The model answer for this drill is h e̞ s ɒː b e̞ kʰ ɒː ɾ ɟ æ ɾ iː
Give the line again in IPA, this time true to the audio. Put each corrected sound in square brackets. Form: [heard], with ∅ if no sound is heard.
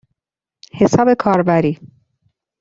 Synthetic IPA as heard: h e̞ s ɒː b e̞ kʰ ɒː ɾ [b] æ ɾ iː